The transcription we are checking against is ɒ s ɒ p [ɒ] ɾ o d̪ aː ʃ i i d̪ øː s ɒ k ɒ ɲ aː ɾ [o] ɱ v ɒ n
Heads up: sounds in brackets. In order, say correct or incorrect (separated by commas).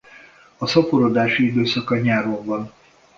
incorrect, correct